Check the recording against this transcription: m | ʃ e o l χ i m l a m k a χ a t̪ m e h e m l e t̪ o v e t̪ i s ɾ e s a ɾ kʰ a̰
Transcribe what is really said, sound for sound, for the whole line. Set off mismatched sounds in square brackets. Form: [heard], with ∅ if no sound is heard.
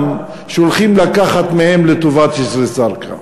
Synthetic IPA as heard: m | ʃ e o l χ i m l a [∅] k a χ a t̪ m e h e m l e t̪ o v [a] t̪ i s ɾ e s a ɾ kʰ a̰